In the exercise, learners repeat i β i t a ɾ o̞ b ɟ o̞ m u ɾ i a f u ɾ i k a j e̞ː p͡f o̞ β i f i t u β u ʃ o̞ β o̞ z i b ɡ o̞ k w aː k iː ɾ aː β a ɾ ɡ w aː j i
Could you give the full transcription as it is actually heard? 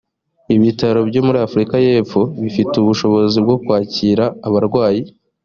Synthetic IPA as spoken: i β i t a ɾ o̞ b ɟ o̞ m u ɾ i a f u ɾ i k a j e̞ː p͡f o̞ β i f i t u β u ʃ o̞ β o̞ z i b ɡ o̞ k w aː c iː ɾ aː β a ɾ ɡ w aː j i